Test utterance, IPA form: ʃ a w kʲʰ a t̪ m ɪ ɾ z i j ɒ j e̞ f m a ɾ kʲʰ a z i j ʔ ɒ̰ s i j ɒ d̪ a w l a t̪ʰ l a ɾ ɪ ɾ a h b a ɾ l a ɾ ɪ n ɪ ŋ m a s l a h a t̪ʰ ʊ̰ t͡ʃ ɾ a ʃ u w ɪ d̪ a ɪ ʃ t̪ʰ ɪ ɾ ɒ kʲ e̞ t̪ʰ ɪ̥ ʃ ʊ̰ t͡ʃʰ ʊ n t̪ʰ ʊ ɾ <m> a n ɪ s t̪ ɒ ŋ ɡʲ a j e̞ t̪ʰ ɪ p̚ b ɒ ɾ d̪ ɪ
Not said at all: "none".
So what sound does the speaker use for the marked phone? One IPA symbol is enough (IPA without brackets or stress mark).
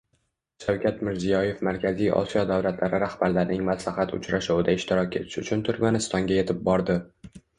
m